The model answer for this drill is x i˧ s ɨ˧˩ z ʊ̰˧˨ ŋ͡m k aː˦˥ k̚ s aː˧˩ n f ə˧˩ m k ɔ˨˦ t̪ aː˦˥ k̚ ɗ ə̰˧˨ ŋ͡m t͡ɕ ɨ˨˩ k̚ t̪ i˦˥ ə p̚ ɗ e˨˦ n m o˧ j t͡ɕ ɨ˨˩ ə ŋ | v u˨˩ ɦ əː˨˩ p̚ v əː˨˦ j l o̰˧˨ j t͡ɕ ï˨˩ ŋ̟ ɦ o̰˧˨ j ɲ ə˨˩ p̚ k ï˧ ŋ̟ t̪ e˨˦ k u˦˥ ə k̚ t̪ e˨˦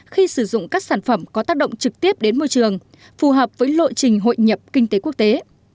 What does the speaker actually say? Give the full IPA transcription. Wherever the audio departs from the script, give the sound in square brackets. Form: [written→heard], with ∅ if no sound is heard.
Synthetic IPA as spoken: x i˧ s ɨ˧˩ z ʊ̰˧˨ ŋ͡m k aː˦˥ k̚ s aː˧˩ n f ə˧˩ m k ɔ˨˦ t̪ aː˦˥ k̚ ɗ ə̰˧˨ ŋ͡m t͡ɕ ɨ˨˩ k̚ t̪ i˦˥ ə p̚ ɗ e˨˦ n m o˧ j t͡ɕ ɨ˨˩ ə ŋ | [v→f] u˨˩ ɦ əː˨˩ p̚ v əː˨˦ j l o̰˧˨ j t͡ɕ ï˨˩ ŋ̟ ɦ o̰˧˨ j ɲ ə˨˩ p̚ k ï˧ ŋ̟ t̪ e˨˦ k u˦˥ ə k̚ t̪ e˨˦